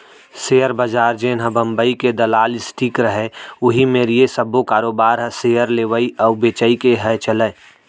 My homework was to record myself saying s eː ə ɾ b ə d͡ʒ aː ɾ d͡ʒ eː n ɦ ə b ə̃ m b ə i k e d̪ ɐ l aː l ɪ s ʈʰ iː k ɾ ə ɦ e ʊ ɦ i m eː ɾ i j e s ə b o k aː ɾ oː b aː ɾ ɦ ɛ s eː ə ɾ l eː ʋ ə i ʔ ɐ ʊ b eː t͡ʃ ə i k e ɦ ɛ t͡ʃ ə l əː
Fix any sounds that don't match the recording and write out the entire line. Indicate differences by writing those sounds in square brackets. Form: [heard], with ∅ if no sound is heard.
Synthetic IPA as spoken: s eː ə ɾ b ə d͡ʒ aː ɾ d͡ʒ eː n ɦ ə b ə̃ m b ə i k e d̪ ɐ l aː l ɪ s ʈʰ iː k ɾ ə ɦ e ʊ ɦ i m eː ɾ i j e s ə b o k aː ɾ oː b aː ɾ ɦ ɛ s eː ə ɾ l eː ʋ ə i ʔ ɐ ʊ b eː t͡ʃ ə i k e ɦ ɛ t͡ʃ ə l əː